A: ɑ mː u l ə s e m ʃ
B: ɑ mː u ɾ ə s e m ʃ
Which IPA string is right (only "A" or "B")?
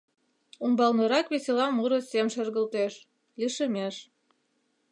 B